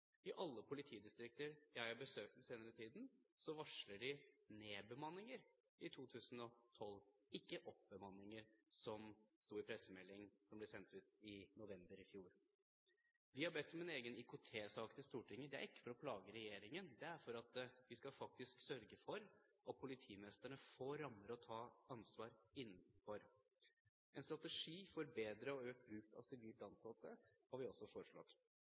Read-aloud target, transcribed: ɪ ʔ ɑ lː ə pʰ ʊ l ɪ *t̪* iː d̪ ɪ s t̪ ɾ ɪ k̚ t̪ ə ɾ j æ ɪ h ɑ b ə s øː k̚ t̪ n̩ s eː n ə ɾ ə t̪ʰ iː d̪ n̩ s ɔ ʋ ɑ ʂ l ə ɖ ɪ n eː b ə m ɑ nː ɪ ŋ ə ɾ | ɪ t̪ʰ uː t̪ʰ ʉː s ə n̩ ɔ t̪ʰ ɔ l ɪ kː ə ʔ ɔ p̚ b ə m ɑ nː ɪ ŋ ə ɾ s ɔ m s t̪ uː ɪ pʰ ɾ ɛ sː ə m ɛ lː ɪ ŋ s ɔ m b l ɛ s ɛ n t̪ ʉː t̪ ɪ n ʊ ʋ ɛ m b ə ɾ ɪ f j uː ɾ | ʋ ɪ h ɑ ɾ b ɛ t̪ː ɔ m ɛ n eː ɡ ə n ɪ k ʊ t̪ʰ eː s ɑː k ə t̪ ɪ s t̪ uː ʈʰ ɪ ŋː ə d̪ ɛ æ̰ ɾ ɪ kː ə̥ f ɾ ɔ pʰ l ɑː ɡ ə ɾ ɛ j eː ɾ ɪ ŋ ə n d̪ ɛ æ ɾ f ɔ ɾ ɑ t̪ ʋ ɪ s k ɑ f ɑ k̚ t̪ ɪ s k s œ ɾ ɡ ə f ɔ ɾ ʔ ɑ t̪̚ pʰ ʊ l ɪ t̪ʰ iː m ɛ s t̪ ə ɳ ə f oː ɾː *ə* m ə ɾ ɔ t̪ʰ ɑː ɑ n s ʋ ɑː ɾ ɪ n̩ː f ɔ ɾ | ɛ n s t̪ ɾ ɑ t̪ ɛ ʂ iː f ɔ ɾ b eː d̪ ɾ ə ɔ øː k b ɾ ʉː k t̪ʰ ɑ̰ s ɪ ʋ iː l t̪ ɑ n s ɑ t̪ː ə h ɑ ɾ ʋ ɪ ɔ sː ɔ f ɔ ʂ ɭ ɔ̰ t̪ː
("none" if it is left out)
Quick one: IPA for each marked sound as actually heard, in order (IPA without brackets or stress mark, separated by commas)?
t̪ʰ, ɑ